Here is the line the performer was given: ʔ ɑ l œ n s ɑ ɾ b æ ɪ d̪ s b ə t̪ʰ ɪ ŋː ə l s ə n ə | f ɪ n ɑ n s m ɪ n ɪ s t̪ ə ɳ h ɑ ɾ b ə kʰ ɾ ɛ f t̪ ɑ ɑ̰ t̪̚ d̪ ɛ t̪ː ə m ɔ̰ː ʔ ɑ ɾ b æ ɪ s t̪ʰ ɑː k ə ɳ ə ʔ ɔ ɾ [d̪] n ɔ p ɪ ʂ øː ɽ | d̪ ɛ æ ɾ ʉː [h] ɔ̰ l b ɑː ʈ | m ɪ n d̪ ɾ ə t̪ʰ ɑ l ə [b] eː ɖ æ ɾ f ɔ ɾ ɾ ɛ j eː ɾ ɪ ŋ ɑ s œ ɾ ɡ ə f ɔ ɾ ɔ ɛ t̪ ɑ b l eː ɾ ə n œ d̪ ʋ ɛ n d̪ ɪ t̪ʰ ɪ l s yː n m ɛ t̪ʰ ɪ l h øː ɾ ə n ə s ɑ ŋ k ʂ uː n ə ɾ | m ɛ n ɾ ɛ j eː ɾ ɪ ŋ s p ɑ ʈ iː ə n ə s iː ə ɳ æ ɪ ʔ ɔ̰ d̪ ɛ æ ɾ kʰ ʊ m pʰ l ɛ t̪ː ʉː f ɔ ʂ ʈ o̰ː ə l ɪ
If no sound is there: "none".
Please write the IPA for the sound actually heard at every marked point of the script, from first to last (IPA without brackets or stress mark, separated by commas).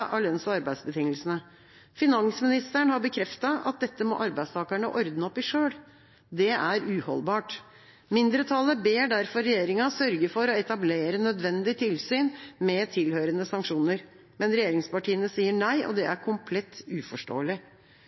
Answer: d̪, h, b